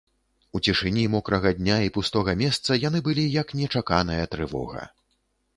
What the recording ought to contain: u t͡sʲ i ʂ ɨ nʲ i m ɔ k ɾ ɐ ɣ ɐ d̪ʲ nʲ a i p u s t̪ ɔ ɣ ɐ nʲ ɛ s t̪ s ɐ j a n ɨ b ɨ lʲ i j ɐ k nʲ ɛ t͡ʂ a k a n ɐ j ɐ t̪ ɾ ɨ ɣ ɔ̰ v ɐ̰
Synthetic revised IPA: u t͡sʲ i ʂ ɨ nʲ i m ɔ k ɾ ɐ ɣ ɐ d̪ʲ nʲ a i p u s t̪ ɔ ɣ ɐ mʲ ɛ s t̪ s ɐ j a n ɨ b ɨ lʲ i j ɐ k nʲ ɛ t͡ʂ a k a n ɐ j ɐ t̪ ɾ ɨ v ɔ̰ ɣ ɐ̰

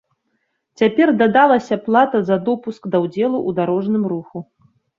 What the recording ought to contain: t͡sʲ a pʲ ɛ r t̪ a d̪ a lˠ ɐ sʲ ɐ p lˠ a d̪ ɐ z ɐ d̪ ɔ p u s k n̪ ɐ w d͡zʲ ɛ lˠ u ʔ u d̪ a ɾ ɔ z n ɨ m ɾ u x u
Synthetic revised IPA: t͡sʲ a pʲ ɛ r d̪ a d̪ a lˠ ɐ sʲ ɐ p lˠ a t̪ ɐ z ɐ d̪ ɔ p u s k d̪ ɐ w d͡zʲ ɛ lˠ u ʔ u d̪ a ɾ ɔ ʐ n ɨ m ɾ u x u

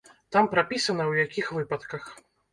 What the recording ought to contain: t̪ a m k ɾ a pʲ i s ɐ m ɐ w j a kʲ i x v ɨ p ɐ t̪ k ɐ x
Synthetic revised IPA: t̪ a m p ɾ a pʲ i s ɐ n ɐ w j a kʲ i x v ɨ p ɐ t̪ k ɐ x

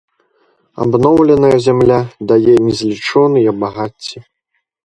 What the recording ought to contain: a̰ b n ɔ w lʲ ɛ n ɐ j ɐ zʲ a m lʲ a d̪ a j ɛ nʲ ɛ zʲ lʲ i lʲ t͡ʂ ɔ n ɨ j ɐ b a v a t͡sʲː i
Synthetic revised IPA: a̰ b n ɔ w lʲ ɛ n ɐ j ɐ zʲ a m lʲ a d̪ a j ɛ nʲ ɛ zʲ lʲ i t͡ʂ ɔ n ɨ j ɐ b a ɣ a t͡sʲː i

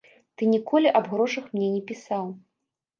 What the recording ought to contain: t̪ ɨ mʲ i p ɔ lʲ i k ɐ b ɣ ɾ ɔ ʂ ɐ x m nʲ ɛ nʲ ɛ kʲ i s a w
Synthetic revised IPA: t̪ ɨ nʲ i k ɔ lʲ i ʔ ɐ b ɣ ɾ ɔ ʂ ɐ x m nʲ ɛ nʲ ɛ pʲ i s a w

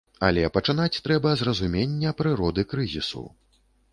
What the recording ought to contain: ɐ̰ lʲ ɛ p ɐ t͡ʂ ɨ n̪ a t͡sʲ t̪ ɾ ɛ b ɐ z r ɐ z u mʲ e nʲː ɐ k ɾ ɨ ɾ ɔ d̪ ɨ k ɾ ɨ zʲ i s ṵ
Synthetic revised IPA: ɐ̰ lʲ ɛ p ɐ t͡ʂ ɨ n̪ a t͡sʲ t̪ ɾ ɛ b ɐ z r ɐ z u mʲ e nʲː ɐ p ɾ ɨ ɾ ɔ d̪ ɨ k ɾ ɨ zʲ i s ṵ

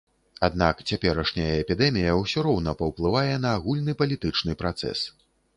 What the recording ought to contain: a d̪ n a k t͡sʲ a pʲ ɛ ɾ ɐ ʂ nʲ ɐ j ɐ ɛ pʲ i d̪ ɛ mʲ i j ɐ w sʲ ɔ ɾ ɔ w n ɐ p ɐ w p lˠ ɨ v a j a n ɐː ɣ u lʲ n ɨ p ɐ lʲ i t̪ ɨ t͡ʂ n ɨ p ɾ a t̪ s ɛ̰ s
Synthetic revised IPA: a d̪ n a k t͡sʲ a pʲ ɛ ɾ ɐ ʂ nʲ ɐ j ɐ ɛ pʲ i d̪ ɛ mʲ i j ɐ w sʲ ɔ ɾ ɔ w n ɐ p ɐ w p lˠ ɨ v a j ɛ n ɐː ɣ u lʲ n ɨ p ɐ lʲ i t̪ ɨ t͡ʂ n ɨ p ɾ a t̪ s ɛ̰ s

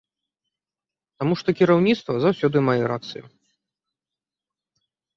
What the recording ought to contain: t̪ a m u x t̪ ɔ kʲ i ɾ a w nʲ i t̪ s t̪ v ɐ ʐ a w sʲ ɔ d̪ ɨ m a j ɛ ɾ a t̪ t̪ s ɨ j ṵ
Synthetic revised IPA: t̪ a m u ʂ t̪ ɔ kʲ i ɾ a w nʲ i t̪ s t̪ v ɐ z a w sʲ ɔ d̪ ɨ m a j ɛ ɾ a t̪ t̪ s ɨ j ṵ

